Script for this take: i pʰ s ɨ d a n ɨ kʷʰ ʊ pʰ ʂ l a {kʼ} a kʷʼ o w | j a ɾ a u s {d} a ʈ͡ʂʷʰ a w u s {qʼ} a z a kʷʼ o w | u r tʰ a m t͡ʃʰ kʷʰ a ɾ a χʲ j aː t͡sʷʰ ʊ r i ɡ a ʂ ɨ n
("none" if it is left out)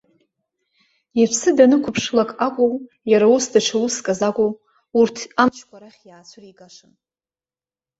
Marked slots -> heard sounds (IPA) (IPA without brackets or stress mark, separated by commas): kʼ, d, kʼ